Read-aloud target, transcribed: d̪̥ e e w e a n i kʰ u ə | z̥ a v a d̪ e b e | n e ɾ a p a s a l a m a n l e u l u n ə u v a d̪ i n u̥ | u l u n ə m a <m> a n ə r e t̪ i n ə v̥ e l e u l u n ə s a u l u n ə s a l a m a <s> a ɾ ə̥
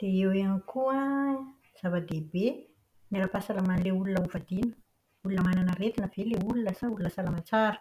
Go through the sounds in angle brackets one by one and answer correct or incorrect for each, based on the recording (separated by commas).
incorrect, incorrect